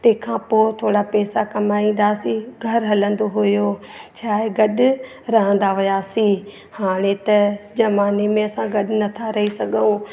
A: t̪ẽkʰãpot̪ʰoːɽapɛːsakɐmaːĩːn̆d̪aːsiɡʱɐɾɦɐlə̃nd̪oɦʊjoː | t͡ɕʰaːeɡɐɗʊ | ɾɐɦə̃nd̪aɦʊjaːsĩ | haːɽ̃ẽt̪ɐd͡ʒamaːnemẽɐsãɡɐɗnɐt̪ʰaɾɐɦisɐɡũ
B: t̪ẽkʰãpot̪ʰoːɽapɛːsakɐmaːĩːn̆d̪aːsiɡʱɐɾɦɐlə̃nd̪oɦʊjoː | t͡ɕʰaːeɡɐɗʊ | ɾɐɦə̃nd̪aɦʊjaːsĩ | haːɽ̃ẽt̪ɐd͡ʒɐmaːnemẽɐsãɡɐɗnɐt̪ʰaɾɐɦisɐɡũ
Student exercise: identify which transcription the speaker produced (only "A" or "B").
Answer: B